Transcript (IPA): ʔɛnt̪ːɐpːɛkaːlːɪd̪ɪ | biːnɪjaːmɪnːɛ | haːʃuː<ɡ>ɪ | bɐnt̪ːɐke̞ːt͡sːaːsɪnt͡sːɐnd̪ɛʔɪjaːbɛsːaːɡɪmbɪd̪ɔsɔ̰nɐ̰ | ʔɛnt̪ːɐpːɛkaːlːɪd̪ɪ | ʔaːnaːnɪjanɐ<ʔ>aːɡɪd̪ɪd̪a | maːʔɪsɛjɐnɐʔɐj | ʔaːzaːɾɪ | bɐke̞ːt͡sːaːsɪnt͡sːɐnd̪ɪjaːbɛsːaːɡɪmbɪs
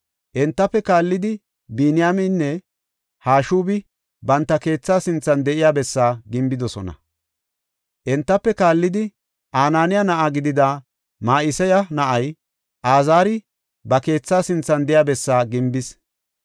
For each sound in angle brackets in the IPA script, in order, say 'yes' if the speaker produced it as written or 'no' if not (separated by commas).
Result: no, yes